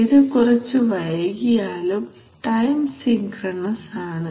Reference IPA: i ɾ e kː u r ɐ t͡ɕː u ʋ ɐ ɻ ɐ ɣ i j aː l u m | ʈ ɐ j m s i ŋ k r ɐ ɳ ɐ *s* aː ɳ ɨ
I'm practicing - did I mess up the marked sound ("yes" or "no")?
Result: no